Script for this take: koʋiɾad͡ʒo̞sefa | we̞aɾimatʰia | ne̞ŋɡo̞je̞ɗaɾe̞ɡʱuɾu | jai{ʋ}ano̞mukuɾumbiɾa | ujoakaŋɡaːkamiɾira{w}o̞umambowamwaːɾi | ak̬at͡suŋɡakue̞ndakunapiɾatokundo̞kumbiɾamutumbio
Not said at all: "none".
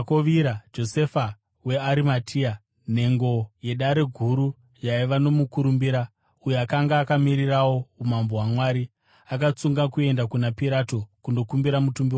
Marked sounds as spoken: ʋ, w

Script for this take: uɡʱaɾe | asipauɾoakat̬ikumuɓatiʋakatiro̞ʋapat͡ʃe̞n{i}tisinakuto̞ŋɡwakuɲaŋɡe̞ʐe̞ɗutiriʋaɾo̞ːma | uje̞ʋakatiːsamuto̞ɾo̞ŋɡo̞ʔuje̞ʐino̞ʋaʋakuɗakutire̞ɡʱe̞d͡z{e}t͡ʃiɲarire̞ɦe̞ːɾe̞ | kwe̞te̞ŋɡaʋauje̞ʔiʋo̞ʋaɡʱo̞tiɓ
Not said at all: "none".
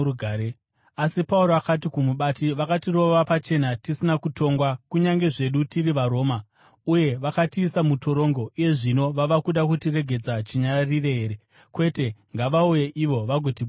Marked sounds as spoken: a, a

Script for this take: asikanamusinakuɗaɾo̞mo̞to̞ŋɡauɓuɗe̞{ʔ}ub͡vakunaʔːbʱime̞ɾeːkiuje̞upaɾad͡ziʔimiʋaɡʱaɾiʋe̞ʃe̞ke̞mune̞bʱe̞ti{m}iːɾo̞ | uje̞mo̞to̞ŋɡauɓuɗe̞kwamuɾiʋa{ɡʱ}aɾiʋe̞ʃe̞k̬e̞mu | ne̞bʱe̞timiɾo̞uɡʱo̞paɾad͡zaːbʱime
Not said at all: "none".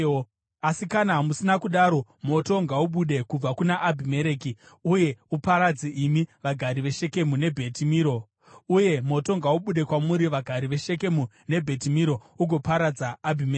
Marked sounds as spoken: k, m, ɡʱ

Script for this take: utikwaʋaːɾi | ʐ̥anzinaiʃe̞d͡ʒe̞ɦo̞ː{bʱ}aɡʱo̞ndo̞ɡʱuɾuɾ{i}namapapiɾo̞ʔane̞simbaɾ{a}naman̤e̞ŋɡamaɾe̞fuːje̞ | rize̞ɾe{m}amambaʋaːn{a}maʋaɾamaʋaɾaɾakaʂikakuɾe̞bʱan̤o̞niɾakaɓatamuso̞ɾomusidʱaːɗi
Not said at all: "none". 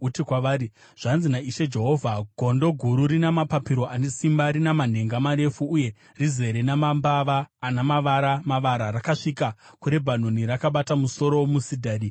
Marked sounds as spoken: vʱ, i, i, n, a

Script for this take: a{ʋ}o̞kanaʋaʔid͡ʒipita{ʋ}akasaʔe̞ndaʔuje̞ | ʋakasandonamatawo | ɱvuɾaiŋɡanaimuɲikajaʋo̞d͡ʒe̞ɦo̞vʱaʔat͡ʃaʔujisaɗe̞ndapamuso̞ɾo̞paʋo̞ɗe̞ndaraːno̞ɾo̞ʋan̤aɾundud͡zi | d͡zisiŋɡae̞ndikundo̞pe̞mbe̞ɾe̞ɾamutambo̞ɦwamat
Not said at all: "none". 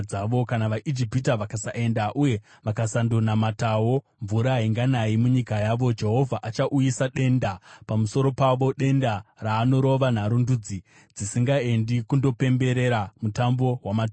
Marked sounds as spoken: ʋ, ʋ

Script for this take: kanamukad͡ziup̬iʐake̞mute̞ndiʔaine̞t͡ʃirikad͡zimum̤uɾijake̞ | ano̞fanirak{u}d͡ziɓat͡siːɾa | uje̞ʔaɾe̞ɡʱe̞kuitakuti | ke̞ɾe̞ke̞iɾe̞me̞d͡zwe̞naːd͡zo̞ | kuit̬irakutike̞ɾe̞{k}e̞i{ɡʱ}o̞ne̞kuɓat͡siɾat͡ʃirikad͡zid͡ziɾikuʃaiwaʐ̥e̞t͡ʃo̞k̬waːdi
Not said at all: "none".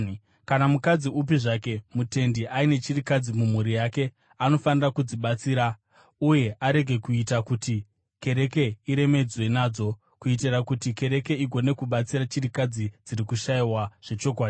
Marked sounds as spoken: u, k, ɡʱ

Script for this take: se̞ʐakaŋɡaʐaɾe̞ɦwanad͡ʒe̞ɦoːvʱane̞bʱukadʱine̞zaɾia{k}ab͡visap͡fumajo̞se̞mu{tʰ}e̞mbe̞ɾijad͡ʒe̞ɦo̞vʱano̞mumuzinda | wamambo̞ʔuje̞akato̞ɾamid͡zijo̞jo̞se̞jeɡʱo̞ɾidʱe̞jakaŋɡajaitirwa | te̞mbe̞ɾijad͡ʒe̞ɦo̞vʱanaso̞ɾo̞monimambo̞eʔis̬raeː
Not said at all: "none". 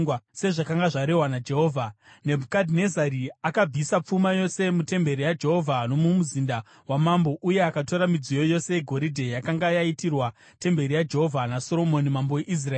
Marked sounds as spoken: k, t

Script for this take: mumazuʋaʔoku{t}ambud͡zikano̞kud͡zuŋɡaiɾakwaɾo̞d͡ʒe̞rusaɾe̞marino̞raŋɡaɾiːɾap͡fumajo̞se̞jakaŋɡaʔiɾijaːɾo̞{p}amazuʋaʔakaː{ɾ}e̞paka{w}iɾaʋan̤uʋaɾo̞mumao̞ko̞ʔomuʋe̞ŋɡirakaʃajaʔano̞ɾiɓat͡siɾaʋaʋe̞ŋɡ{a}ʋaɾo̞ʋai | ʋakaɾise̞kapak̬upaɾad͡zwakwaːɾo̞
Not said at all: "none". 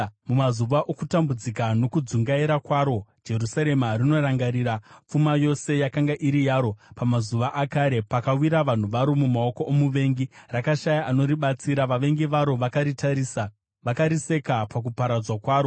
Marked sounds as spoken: t, p, ɾ, w, i

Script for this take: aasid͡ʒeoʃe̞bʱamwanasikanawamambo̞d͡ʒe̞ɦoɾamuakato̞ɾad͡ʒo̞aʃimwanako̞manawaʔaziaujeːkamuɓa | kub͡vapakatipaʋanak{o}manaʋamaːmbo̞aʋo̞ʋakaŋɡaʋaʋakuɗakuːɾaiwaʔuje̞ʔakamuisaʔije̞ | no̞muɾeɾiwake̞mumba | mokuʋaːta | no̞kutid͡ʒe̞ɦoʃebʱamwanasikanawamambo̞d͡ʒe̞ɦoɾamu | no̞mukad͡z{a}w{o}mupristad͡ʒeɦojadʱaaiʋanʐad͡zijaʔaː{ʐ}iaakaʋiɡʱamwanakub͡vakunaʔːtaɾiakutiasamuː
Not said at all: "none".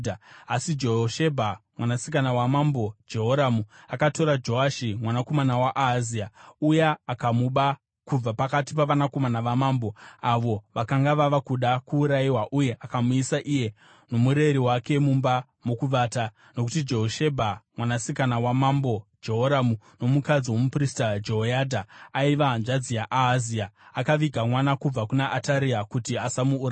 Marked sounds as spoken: o, i, o, z

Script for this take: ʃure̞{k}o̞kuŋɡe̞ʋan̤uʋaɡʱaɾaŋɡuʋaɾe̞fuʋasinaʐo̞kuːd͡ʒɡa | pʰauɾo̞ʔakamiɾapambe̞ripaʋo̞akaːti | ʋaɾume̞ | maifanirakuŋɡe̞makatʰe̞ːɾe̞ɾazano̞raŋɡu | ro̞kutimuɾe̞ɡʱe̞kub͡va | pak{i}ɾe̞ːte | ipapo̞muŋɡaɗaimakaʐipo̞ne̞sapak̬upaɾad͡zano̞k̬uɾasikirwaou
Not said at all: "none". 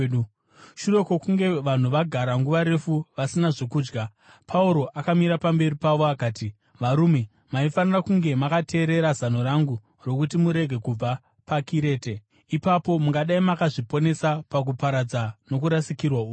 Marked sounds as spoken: k, i

